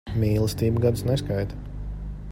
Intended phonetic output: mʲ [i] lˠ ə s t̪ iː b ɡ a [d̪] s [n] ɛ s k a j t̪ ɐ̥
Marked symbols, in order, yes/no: no, yes, yes

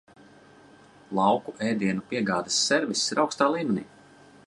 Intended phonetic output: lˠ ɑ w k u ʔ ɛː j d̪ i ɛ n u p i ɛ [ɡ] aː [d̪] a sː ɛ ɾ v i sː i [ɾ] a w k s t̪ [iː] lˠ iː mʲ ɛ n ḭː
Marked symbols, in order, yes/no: yes, yes, yes, no

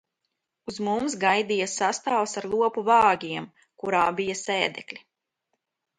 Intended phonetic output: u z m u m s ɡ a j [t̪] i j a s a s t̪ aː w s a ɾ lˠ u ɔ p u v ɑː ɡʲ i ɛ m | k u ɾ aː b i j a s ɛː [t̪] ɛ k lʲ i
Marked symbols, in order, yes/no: no, no

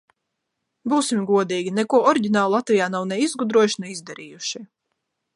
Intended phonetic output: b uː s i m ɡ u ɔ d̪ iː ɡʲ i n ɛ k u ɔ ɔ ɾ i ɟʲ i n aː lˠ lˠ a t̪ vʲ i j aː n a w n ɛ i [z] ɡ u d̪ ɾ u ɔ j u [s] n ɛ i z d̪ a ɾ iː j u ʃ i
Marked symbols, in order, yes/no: yes, no

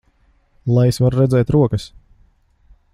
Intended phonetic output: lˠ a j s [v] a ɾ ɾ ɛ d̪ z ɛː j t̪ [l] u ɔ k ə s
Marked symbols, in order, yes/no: yes, no

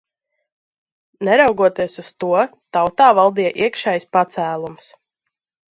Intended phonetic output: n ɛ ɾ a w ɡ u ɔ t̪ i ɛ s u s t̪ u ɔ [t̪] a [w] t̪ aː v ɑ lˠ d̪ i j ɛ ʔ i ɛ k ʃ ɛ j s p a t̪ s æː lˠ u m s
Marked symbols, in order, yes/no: yes, yes

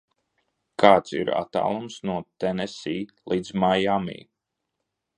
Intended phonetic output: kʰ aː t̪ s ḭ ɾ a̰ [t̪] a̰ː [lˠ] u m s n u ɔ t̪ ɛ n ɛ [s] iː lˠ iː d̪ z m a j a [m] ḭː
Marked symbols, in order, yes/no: yes, yes, yes, yes

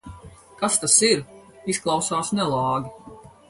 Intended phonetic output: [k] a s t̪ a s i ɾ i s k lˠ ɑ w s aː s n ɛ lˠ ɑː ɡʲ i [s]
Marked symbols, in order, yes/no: yes, no

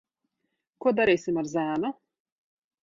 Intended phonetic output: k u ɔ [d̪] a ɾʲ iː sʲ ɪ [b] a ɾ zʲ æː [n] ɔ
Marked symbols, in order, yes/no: yes, no, yes

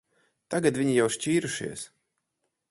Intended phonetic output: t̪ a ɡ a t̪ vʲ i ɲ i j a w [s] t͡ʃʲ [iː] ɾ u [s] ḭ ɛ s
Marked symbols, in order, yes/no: no, yes, no

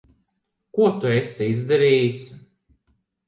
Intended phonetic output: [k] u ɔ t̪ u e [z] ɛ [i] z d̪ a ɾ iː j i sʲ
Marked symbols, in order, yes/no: yes, no, yes

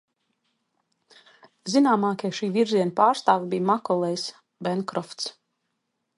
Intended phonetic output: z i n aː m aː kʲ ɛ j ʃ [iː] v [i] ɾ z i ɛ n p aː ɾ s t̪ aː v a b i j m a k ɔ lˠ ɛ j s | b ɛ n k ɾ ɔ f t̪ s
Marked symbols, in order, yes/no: yes, yes

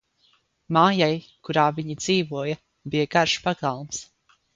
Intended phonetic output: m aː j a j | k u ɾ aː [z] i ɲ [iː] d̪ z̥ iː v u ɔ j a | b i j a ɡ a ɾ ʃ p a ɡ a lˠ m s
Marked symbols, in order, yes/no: no, no

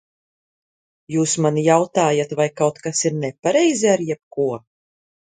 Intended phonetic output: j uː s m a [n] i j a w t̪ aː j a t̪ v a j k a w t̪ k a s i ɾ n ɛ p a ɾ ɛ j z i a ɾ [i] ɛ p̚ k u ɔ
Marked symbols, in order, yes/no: yes, no

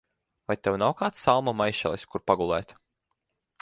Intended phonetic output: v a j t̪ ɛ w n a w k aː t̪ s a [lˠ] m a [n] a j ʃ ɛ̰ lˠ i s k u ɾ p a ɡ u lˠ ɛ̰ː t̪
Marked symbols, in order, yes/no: yes, no

